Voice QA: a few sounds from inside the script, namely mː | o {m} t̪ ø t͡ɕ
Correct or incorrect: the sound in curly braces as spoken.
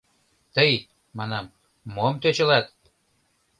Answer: correct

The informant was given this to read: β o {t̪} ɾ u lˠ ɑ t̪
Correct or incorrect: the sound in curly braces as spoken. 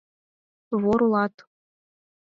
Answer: incorrect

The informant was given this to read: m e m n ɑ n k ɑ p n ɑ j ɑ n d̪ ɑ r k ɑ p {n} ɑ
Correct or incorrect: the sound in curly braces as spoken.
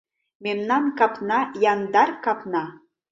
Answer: correct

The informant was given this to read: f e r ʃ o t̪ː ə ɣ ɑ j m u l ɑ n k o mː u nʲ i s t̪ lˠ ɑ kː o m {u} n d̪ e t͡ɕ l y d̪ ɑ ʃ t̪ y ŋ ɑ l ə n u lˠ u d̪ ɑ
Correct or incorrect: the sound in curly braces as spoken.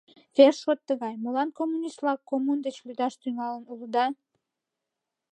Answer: correct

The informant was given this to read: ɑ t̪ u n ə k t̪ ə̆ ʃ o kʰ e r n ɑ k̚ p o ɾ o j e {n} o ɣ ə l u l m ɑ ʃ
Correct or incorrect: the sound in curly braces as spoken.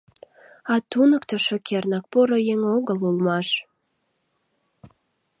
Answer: incorrect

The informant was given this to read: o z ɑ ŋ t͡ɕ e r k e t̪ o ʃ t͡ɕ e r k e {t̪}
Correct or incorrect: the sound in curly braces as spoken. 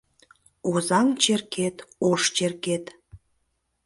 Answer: correct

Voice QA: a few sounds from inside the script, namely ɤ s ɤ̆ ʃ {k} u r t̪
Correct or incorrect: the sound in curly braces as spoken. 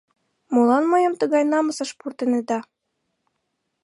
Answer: incorrect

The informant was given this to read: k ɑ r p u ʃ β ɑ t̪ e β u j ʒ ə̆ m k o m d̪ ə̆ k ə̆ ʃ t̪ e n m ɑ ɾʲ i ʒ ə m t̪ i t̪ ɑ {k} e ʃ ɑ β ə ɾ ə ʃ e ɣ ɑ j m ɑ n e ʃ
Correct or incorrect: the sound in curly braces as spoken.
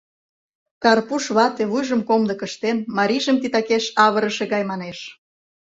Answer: correct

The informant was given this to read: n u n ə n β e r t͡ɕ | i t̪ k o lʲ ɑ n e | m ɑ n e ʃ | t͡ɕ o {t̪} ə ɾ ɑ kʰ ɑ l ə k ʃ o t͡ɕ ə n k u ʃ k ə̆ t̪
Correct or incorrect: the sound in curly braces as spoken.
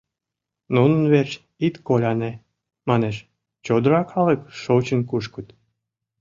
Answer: incorrect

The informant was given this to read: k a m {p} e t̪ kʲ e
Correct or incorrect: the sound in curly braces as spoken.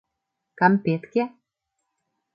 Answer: correct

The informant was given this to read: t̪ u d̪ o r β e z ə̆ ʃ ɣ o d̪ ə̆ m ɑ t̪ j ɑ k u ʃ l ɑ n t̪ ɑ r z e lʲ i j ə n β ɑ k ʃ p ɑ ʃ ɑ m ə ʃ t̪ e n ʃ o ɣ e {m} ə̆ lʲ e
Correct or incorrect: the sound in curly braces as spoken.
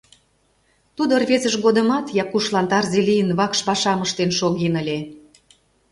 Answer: incorrect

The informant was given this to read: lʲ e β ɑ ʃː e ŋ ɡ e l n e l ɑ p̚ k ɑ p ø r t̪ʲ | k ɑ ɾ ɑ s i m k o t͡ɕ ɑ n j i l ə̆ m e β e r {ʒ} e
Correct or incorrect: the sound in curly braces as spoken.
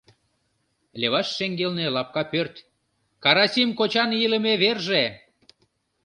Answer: correct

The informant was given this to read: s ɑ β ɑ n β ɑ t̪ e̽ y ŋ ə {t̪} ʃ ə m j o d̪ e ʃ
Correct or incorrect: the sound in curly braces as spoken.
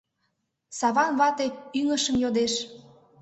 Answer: incorrect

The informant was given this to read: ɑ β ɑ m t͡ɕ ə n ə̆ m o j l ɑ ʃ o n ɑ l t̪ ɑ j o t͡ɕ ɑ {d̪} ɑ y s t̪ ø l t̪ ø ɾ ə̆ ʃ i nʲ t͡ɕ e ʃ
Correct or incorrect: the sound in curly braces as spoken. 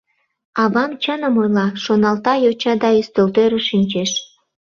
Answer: correct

